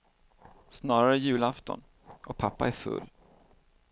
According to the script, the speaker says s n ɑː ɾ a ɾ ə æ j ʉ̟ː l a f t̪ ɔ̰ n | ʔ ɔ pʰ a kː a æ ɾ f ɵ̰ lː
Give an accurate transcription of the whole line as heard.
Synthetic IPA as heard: s n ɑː ɾ a ɾ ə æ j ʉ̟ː l a f t̪ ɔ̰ n | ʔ ɔ pʰ a pː a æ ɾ f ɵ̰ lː